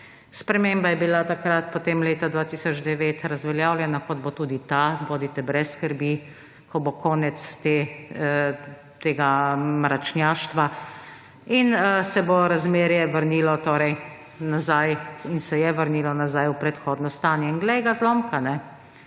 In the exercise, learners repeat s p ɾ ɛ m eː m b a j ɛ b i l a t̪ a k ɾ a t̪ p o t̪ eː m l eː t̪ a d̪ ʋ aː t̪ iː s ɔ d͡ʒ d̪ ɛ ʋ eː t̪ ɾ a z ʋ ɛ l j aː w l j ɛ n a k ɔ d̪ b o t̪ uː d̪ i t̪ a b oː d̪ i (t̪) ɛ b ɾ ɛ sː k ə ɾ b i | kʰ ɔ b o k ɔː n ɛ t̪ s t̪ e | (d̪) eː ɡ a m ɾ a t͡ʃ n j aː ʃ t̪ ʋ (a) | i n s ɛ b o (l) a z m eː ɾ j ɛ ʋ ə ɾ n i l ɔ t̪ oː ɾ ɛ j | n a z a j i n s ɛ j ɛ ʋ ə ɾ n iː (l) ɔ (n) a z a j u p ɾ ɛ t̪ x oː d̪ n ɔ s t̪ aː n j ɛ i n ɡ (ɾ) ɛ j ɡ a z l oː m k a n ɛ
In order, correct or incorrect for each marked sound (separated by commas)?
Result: correct, incorrect, correct, incorrect, correct, correct, incorrect